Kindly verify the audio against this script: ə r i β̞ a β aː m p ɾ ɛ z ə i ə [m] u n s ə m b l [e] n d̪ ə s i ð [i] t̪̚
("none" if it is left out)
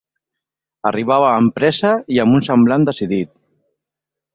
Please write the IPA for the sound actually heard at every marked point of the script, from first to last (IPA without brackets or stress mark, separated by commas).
m, a, i